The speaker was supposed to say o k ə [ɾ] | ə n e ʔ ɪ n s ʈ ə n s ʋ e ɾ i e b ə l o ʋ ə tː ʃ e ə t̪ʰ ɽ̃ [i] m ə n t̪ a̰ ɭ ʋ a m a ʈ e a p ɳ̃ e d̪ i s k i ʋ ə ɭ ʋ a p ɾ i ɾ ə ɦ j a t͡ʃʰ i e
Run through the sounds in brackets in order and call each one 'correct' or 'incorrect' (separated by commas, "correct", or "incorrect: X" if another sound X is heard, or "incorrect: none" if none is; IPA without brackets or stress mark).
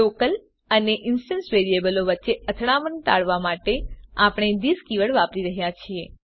incorrect: l, incorrect: a